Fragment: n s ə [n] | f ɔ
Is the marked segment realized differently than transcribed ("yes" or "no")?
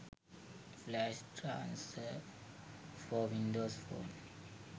yes